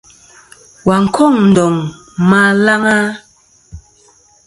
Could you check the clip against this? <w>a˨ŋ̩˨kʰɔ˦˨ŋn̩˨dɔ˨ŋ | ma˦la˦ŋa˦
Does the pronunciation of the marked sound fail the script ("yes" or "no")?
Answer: no